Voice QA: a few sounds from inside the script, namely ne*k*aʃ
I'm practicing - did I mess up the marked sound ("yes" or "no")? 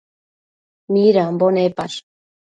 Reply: yes